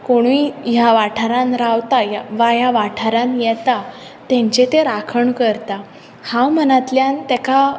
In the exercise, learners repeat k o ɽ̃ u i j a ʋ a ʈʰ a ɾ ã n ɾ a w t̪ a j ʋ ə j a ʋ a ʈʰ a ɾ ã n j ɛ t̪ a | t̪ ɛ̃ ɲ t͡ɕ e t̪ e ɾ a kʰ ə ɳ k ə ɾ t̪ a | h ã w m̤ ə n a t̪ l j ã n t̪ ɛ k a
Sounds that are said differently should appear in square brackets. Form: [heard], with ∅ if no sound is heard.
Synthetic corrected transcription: k o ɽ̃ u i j a ʋ a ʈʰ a ɾ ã n ɾ a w t̪ a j ʋ [a] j a ʋ a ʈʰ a ɾ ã n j ɛ t̪ a | t̪ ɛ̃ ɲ t͡ɕ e t̪ e ɾ a kʰ ə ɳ k ə ɾ t̪ a | h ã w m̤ ə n a t̪ l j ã n t̪ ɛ k a